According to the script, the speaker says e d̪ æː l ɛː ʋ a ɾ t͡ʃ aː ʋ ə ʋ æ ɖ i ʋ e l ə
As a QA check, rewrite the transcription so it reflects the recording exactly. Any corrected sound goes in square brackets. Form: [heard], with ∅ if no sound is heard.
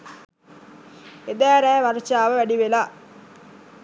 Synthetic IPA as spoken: e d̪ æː [ɾ] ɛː ʋ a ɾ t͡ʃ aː ʋ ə ʋ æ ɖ i ʋ e l [a]